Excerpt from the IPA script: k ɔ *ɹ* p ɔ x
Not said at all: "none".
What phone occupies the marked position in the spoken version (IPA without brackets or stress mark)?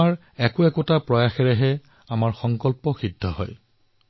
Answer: l